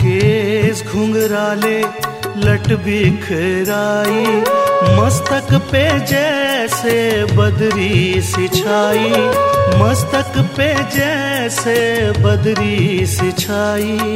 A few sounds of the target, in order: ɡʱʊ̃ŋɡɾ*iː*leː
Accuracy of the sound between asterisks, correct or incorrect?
incorrect